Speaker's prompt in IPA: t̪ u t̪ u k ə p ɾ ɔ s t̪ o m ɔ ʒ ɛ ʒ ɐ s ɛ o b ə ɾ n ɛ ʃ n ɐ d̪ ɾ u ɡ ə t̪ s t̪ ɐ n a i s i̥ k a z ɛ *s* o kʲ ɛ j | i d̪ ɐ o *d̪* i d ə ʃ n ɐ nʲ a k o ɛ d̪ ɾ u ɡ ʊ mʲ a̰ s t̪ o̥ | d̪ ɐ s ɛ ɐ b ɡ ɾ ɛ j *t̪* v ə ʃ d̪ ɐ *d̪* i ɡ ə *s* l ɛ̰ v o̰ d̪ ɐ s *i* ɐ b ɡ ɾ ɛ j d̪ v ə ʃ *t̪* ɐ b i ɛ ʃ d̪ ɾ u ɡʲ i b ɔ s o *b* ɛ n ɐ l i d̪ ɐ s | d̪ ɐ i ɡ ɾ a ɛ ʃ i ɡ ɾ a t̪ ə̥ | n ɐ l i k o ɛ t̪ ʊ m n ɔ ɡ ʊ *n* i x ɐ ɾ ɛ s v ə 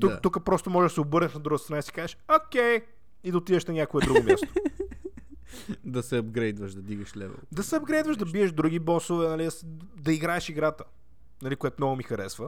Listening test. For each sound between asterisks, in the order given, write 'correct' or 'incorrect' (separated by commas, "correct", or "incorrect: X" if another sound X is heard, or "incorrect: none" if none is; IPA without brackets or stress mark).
incorrect: ʃ, incorrect: t̪, incorrect: d̪, correct, incorrect: ʃ, incorrect: ɛ, incorrect: d̪, incorrect: v, incorrect: m